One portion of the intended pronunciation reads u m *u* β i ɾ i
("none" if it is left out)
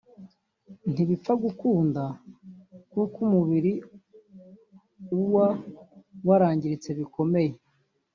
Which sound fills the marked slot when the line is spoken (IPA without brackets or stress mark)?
u